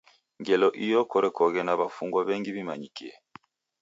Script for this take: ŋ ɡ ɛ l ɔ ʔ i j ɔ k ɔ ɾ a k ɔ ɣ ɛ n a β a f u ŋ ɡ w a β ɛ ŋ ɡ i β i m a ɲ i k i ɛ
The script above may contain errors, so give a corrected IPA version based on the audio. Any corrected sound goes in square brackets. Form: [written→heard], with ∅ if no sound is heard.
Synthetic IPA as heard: ŋ ɡ ɛ l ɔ ʔ i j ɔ k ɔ ɾ [a→ɛ] k ɔ ɣ ɛ n a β a f u ŋ ɡ w a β ɛ ŋ ɡ i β i m a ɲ i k i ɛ